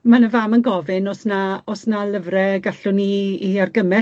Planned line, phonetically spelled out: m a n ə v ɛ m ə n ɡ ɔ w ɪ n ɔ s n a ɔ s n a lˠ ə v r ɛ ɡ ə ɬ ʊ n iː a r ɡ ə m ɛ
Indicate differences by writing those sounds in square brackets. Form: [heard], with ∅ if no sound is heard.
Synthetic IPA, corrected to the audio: m a n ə v [a] m ə n ɡ ɔ [v] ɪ n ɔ s n a ɔ s n a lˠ ə v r ɛ ɡ [a] ɬ ʊ n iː a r ɡ ə m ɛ